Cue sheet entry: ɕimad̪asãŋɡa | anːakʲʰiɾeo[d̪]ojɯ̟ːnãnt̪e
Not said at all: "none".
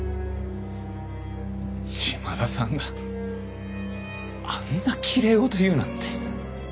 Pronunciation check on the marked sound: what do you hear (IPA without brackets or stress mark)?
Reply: t̪